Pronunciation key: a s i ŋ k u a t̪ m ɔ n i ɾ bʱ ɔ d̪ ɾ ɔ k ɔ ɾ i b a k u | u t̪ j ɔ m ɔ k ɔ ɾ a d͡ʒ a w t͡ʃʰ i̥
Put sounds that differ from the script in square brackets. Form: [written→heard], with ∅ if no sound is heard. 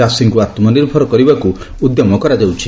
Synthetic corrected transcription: a s i ŋ k u a t̪ m ɔ n i ɾ bʱ ɔ [d̪→∅] ɾ ɔ k ɔ ɾ i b a k u | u [t̪→d̪] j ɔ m ɔ k ɔ ɾ a d͡ʒ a w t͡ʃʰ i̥